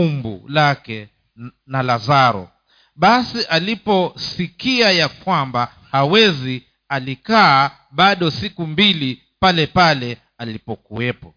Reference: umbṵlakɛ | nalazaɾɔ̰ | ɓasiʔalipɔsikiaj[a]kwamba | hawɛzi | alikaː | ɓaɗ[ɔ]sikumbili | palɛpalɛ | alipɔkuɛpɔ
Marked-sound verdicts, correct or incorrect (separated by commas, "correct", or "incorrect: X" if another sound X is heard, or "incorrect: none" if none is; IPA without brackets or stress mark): correct, correct